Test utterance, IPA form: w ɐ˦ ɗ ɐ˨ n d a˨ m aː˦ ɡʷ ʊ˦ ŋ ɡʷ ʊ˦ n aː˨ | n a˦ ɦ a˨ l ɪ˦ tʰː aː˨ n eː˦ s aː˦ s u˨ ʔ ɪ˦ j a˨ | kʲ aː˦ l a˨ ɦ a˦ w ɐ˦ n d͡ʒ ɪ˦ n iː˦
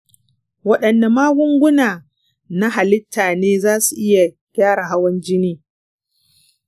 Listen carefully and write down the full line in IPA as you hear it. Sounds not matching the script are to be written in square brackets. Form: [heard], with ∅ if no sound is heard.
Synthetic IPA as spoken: w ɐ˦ ɗ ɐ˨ n d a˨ m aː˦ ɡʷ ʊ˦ ŋ ɡʷ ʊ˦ n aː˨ | n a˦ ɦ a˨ l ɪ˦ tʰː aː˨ n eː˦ [z] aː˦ s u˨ ʔ ɪ˦ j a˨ | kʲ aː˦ [ɽ] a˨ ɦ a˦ w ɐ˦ n d͡ʒ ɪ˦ n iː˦